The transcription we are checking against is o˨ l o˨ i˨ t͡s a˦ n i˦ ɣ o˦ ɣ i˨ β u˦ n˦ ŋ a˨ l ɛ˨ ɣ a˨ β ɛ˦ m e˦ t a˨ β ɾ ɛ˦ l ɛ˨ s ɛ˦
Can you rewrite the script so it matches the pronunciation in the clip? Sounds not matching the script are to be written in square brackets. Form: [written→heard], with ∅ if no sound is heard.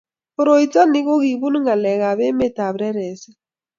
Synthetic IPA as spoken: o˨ [l→ɾ] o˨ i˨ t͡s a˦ n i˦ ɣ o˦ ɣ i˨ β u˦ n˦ ŋ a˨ l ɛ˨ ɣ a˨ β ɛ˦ m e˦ t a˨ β ɾ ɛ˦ [l→ɾ] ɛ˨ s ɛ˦